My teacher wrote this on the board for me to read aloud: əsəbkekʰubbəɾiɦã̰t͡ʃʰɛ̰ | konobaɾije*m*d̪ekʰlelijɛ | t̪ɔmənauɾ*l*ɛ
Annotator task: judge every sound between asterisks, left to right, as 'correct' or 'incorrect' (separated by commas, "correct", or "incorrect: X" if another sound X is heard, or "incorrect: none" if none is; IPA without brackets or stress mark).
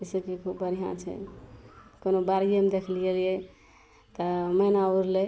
correct, correct